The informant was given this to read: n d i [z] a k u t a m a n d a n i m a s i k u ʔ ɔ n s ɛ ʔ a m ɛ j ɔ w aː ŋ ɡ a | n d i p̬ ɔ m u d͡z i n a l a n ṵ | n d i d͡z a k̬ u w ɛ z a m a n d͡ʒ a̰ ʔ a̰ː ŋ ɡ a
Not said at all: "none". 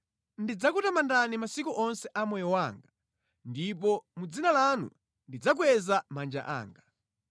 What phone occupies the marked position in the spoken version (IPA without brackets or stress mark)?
d͡z